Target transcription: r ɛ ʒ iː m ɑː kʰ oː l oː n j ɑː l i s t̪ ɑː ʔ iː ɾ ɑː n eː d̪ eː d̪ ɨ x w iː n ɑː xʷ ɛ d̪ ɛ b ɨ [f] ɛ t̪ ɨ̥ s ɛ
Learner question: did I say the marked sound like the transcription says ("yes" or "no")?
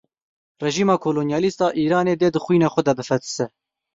yes